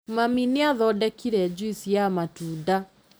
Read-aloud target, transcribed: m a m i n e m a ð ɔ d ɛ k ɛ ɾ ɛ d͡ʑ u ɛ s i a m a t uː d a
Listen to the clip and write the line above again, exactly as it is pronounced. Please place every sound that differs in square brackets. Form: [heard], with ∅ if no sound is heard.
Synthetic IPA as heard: m a m i n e [∅] a ð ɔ d ɛ k [i] ɾ ɛ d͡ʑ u [i] s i a m a t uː d a